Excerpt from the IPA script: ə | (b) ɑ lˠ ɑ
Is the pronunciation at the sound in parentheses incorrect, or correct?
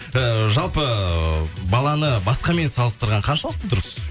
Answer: correct